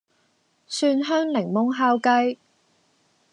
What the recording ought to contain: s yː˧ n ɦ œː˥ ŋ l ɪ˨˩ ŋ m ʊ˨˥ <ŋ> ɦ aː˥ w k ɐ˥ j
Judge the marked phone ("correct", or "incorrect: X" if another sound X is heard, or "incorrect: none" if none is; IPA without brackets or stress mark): correct